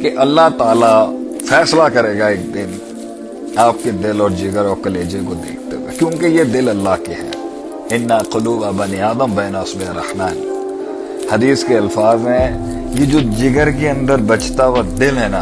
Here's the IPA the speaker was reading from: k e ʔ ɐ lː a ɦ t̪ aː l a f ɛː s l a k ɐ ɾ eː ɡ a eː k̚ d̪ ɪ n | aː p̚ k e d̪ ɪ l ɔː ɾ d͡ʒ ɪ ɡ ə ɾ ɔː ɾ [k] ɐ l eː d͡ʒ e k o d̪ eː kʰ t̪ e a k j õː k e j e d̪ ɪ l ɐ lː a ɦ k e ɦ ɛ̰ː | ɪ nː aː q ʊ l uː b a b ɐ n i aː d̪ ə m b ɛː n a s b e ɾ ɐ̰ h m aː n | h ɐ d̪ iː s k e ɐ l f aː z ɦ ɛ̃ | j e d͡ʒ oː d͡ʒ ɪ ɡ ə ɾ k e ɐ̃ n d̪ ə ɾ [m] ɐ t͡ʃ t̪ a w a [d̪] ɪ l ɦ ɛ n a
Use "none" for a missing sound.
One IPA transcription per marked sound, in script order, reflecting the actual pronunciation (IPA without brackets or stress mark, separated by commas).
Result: k, b, d̪